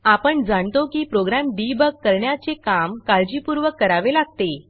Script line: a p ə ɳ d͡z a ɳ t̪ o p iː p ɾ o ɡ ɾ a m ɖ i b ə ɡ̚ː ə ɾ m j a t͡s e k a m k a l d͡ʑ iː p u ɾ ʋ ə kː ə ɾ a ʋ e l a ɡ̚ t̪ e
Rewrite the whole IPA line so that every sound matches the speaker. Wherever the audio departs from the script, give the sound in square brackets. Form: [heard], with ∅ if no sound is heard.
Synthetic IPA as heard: a p ə ɳ d͡z a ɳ t̪ o [k] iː p ɾ o ɡ ɾ a m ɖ i b ə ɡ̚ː ə ɾ [ɳ] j a t͡s e k a m k a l d͡ʑ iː p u ɾ ʋ ə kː ə ɾ a ʋ e l a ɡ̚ t̪ e